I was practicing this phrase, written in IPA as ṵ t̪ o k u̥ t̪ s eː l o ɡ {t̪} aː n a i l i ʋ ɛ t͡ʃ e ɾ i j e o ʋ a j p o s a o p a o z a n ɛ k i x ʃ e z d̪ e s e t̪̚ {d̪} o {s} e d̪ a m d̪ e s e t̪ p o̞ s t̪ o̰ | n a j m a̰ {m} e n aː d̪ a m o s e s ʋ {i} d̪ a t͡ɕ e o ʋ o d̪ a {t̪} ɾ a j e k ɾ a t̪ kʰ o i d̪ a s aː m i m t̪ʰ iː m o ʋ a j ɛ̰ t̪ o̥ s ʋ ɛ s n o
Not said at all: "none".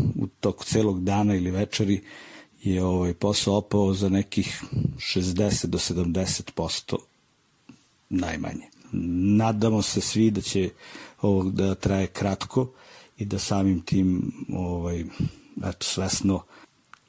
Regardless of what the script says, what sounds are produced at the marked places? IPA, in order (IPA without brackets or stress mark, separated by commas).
d̪, d̪, s, ɲ, i, t̪